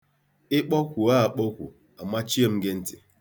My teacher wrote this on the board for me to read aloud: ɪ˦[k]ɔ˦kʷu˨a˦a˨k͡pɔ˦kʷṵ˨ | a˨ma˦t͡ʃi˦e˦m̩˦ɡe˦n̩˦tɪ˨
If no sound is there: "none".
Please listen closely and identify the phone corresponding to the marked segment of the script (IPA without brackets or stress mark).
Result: k͡p